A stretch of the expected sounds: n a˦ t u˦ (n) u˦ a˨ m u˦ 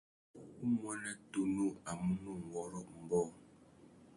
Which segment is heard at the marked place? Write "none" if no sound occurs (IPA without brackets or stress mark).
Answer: n